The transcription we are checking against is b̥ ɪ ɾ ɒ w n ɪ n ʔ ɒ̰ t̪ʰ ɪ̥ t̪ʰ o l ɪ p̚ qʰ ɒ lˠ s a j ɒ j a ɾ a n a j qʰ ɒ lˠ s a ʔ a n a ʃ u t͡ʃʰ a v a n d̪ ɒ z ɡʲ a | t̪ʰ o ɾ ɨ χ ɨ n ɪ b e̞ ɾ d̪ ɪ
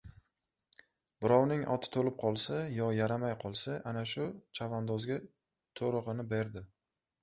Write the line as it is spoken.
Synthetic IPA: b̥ ɪ ɾ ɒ w n ɪ ŋ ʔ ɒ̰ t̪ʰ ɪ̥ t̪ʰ o l ɪ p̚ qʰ ɒ lˠ s a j ɒ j a ɾ a m a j qʰ ɒ lˠ s a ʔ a n a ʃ ʊ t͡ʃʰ a v a n d̪ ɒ z ɡʲ a | t̪ʰ o ɾ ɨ ʁ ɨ n ɪ b e̞ ɾ d̪ ɪ